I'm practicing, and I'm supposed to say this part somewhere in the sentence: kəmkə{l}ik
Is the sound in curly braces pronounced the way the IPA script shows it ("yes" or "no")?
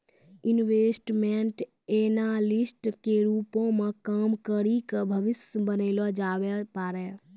no